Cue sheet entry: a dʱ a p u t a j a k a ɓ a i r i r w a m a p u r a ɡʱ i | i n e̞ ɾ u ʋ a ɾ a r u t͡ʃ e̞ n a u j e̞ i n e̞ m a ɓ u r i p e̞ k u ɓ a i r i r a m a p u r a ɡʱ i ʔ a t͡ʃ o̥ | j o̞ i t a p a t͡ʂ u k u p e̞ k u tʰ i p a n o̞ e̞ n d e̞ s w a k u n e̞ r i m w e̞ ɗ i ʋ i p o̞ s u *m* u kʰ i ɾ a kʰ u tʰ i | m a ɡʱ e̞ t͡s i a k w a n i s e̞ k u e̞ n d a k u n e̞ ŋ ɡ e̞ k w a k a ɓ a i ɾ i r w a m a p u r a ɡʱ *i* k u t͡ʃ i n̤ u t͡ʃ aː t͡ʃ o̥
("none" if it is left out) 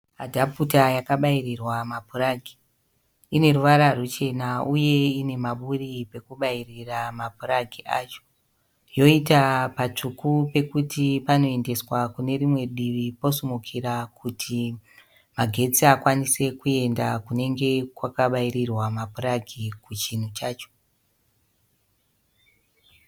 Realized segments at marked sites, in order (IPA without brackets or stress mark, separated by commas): m, i